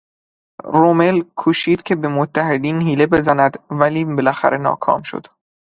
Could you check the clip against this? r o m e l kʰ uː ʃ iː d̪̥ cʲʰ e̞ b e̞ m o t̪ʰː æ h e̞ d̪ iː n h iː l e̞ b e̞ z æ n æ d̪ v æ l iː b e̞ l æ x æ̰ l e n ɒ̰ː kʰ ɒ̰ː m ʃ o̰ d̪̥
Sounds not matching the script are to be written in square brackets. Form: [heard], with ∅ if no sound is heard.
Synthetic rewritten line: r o m e l kʰ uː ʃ iː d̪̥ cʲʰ e̞ b e̞ m o t̪ʰː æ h e̞ d̪ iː n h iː l e̞ b e̞ z æ n æ d̪ v æ l iː b e̞ l æ x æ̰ [ɾ] e n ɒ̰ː kʰ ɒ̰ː m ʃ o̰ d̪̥

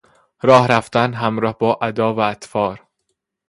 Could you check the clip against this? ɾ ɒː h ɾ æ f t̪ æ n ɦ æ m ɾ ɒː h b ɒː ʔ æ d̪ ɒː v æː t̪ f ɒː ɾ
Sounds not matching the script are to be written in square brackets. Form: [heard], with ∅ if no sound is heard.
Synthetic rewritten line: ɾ ɒː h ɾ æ f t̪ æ n ɦ æ m ɾ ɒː h b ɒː ʔ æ d̪ ɒː v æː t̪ f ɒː ɾ

